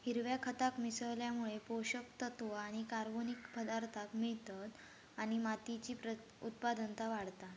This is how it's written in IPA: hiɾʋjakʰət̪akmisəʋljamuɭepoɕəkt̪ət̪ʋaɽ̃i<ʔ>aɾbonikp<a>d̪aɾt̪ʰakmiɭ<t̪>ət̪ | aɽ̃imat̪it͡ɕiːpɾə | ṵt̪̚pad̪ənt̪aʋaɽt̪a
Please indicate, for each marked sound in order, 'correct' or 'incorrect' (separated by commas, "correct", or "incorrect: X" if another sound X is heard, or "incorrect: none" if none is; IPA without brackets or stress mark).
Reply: incorrect: k, incorrect: ə, correct